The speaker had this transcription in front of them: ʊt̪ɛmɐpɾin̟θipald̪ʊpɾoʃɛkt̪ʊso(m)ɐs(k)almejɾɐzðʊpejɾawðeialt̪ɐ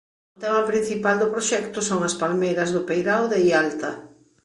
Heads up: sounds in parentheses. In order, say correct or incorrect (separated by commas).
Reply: incorrect, incorrect